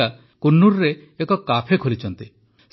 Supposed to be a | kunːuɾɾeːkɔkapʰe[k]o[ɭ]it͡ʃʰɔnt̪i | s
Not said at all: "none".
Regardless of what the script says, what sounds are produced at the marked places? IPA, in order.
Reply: kʰ, l

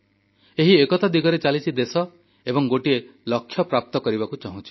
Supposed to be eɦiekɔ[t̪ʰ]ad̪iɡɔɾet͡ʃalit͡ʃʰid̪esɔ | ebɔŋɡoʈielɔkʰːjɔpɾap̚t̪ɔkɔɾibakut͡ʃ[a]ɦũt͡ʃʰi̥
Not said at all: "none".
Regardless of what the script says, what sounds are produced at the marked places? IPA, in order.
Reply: t̪, a

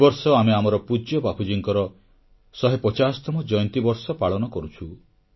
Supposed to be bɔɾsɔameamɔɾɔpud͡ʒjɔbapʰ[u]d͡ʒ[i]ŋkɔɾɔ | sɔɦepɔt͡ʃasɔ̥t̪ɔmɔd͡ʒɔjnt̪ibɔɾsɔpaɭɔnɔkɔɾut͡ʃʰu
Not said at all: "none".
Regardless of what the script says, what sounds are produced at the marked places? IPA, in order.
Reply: u, i

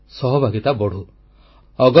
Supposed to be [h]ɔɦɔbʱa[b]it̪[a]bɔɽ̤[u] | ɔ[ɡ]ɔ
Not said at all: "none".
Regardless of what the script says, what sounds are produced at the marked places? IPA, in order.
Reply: s, ɡ, a, u, ɡ

